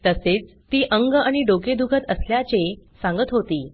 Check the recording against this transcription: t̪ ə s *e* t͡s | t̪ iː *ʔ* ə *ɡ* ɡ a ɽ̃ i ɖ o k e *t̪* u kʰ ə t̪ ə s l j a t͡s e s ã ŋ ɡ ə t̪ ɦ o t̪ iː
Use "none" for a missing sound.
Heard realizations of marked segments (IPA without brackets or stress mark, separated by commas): e, ʔ, ŋ, d̪